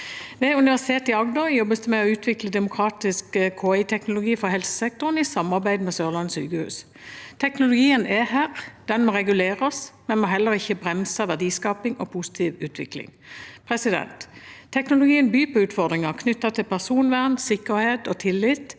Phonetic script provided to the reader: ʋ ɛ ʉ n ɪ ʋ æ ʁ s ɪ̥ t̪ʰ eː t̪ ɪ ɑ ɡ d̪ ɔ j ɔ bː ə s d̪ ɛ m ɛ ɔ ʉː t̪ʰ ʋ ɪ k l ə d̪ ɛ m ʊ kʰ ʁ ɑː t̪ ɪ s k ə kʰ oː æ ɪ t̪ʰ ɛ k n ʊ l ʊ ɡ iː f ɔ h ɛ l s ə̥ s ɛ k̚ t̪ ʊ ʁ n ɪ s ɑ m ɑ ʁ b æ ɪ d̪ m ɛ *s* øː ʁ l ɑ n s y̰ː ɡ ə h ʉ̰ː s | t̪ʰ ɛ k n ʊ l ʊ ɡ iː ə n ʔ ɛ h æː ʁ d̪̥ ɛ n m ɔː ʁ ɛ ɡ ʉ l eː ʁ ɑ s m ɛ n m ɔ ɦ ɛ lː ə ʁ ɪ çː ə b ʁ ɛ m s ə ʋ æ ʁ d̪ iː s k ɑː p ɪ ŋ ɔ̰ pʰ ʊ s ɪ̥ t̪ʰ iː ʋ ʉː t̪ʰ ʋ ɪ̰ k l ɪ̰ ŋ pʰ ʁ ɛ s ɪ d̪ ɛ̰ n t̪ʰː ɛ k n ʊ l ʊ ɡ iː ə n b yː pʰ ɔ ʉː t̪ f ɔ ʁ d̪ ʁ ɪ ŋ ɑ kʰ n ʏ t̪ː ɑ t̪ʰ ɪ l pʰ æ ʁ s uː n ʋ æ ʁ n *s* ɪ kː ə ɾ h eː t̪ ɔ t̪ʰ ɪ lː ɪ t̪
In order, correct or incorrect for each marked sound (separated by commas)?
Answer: correct, correct